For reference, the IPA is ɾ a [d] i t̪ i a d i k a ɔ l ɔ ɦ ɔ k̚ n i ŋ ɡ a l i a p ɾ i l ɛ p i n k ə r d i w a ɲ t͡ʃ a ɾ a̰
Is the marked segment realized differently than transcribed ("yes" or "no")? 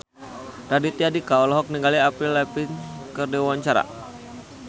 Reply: no